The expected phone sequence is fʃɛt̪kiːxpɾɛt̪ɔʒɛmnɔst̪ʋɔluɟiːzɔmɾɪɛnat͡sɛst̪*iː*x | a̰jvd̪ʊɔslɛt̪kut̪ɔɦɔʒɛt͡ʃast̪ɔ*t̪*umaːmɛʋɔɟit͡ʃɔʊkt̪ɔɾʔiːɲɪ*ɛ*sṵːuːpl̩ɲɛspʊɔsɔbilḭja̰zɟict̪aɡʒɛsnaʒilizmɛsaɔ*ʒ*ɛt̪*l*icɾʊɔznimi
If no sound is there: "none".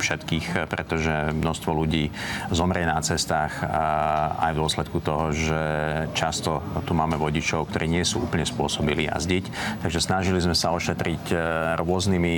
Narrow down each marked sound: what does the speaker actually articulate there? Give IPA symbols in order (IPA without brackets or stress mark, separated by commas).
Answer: aː, t̪, ɛ, ʃ, ɾ